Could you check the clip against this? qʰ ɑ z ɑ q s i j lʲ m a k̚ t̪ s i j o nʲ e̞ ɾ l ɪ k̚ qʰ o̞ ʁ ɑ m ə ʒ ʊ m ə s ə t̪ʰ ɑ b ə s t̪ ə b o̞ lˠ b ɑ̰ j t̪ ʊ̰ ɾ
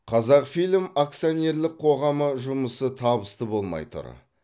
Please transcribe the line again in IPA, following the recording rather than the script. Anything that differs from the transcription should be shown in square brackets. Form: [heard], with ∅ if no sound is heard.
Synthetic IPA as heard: qʰ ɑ z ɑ q [f] i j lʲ m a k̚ t̪ s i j o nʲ e̞ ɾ l ɪ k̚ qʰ o̞ ʁ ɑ m ə ʒ ʊ m ə s ə t̪ʰ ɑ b ə s t̪ ə b o̞ lˠ [m] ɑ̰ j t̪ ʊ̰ ɾ